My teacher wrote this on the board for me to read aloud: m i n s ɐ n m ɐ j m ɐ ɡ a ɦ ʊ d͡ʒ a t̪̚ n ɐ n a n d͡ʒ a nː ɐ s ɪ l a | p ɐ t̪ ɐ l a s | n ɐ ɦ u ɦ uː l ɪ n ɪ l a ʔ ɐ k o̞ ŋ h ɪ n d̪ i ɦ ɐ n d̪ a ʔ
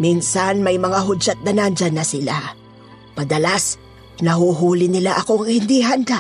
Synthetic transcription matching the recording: m i n s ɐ n m ɐ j m ɐ ŋ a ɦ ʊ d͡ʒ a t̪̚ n ɐ n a n d͡ʒ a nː ɐ s ɪ l a | p ɐ d̪ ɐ l a s | n ɐ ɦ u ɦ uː l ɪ n ɪ l a ʔ ɐ k o̞ ŋ h ɪ n d̪ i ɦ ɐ n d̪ a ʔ